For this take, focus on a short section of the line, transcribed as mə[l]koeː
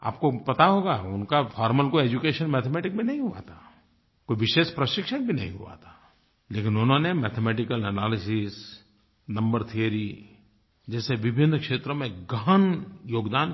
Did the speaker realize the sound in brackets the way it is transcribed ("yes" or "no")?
yes